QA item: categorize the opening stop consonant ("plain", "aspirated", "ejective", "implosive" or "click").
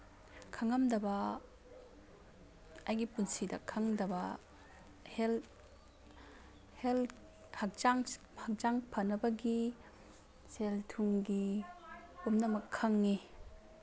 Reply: aspirated